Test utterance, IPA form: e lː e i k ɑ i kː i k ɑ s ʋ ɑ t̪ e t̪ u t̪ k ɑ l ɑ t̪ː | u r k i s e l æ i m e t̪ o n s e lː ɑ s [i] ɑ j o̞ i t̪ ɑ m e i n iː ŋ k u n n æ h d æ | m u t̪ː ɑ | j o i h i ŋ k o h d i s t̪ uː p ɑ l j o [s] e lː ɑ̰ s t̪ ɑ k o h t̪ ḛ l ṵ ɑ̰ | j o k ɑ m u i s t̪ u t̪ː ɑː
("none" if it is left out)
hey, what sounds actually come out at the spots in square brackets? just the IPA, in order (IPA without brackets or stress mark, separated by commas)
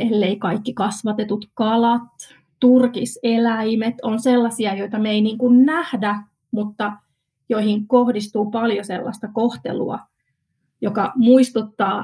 i, s